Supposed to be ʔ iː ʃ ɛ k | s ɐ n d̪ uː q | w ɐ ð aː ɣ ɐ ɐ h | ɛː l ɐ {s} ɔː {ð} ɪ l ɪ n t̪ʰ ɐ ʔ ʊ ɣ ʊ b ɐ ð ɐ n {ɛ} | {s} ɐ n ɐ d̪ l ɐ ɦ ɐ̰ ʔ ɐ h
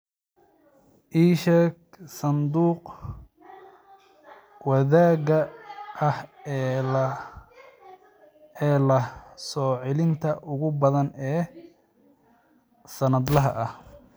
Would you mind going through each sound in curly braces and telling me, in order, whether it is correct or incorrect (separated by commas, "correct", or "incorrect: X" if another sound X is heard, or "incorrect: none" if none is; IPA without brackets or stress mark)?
correct, incorrect: ʕ, incorrect: ɛː, correct